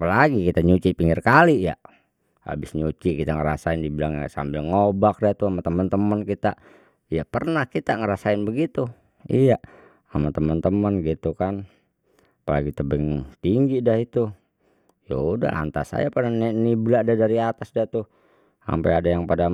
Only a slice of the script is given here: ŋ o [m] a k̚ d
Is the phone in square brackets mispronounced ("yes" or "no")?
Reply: yes